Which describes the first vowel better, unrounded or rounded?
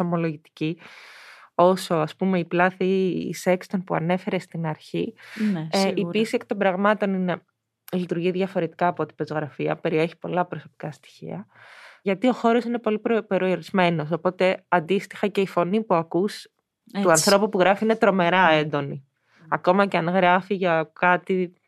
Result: rounded